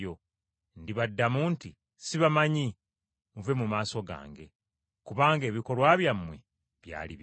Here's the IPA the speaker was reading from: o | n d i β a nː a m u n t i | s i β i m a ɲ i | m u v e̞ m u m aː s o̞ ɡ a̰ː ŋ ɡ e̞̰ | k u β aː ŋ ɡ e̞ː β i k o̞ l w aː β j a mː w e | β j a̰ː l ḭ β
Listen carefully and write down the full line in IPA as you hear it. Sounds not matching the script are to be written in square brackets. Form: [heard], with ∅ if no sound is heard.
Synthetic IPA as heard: o | n d i β a [dː] a m u n t i | s i β [a] m a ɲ i | m u v e̞ m u m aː s o̞ ɡ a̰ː ŋ ɡ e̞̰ | k u β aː ŋ ɡ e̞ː β i k o̞ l w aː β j a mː w e | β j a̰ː l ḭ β